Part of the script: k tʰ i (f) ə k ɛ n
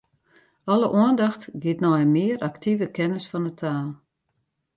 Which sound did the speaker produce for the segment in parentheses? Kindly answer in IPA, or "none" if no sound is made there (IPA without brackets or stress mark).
v